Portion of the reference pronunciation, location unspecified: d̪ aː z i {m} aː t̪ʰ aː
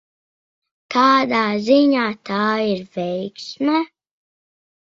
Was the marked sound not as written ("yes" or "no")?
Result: yes